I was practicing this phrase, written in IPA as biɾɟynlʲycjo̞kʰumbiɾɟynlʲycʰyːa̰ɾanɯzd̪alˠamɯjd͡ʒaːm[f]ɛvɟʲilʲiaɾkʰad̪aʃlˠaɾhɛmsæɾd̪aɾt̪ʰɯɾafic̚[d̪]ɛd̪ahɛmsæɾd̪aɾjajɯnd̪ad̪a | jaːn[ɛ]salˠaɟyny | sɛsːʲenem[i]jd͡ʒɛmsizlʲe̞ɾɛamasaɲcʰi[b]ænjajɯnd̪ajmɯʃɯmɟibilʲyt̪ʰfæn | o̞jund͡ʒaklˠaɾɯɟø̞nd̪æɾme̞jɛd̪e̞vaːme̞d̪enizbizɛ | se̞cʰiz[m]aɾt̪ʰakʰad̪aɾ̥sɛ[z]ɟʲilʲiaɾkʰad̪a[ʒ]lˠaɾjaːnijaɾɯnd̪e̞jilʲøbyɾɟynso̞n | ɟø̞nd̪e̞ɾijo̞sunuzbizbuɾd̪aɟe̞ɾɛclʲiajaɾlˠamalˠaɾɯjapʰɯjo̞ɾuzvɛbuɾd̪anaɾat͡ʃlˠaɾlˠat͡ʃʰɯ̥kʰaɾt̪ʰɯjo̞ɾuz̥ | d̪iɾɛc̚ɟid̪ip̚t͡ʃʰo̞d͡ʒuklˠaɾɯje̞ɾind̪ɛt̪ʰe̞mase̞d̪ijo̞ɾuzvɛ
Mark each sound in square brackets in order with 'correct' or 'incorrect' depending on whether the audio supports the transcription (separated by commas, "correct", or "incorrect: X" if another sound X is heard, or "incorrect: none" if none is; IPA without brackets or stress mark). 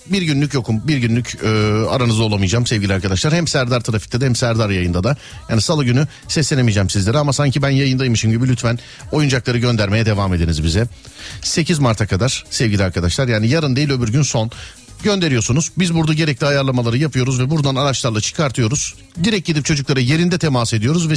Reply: incorrect: s, incorrect: t̪, incorrect: i, correct, correct, correct, incorrect: v, incorrect: ʃ